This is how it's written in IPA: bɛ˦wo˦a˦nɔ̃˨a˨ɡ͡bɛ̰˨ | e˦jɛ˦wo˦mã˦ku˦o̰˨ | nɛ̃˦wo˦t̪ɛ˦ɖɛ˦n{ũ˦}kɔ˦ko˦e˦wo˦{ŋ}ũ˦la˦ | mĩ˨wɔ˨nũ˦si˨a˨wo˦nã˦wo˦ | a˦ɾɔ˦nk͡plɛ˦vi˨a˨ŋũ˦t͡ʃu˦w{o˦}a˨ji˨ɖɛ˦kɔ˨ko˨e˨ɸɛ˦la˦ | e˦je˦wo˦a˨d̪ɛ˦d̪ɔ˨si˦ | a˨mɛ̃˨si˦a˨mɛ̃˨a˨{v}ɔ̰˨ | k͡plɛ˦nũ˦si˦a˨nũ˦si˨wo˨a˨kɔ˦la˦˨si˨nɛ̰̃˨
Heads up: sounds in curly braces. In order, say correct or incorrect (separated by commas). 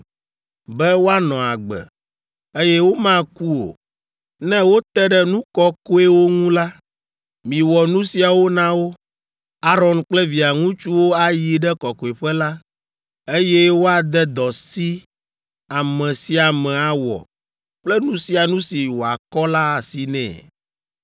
correct, correct, correct, incorrect